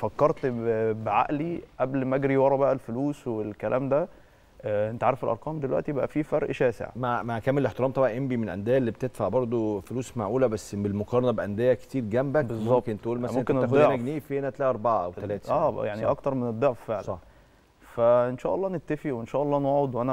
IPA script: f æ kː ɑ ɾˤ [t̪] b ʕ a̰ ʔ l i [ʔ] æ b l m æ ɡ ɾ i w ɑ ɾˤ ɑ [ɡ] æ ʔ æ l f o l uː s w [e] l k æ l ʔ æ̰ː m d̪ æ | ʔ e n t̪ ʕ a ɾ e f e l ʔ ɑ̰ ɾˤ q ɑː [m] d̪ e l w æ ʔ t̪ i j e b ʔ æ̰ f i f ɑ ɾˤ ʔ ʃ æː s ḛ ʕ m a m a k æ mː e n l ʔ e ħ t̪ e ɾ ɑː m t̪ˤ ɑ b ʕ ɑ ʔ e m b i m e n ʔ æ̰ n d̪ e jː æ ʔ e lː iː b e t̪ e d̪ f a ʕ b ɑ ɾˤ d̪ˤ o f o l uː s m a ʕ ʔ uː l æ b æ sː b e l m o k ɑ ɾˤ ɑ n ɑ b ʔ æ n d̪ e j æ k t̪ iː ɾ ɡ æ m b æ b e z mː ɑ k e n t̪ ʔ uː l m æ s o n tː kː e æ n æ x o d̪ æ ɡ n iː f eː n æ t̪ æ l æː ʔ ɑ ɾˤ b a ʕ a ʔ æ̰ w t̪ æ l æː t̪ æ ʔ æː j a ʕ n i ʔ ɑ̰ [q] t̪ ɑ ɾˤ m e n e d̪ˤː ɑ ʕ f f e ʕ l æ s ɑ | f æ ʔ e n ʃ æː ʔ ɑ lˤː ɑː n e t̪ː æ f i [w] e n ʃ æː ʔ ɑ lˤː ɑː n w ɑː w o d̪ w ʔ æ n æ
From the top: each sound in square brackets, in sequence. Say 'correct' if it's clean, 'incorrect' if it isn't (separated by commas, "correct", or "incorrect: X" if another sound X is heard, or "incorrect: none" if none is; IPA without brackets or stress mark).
correct, correct, incorrect: b, correct, correct, incorrect: k, correct